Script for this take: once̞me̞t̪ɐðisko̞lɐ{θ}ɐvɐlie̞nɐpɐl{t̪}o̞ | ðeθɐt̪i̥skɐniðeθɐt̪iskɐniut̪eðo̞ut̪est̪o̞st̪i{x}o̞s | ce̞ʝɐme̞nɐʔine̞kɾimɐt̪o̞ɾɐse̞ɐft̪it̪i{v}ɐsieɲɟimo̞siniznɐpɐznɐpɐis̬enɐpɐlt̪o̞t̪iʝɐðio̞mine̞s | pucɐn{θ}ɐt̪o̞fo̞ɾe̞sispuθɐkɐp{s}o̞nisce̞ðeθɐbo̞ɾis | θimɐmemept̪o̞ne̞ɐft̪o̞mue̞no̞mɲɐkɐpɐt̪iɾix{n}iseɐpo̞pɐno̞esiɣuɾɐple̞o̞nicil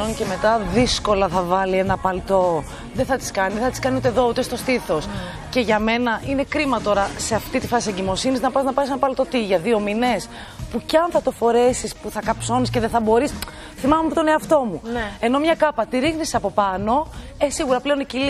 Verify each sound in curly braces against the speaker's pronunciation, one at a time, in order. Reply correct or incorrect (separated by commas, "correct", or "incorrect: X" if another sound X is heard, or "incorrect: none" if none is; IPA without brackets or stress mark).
correct, correct, incorrect: θ, incorrect: f, correct, correct, correct